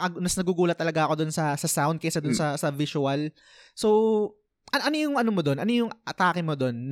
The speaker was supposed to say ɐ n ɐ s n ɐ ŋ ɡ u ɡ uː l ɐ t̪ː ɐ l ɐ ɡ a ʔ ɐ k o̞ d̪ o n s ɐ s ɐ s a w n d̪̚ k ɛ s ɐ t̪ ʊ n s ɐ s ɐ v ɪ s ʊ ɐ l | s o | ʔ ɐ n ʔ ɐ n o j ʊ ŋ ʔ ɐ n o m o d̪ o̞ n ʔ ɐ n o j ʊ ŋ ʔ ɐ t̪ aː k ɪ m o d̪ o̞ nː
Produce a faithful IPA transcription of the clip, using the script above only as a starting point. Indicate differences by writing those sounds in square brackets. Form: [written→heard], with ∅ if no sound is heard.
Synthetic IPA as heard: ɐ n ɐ s n ɐ [ŋ→∅] ɡ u ɡ uː l ɐ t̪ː ɐ l ɐ ɡ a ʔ ɐ k o̞ d̪ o n s ɐ s ɐ s a w n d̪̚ k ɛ s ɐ [t̪→d̪] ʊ n s ɐ s ɐ v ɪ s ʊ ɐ l | s o | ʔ ɐ n ʔ ɐ n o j ʊ ŋ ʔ ɐ n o m o d̪ o̞ n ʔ ɐ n o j ʊ ŋ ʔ ɐ t̪ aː k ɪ m o d̪ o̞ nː